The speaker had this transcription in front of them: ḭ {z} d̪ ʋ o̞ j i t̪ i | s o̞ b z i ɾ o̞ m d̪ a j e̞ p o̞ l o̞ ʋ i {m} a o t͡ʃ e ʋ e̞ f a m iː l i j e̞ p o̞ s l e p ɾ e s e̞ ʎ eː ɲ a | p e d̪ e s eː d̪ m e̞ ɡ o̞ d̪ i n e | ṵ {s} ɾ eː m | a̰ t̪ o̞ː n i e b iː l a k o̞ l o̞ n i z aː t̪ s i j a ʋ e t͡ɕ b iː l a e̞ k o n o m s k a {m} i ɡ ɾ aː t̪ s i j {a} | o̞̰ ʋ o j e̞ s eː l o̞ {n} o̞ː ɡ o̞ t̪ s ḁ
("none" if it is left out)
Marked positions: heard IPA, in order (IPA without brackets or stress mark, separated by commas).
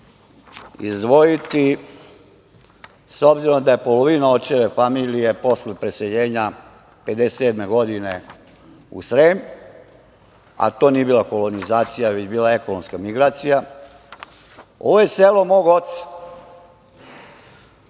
z, n, s, m, a, m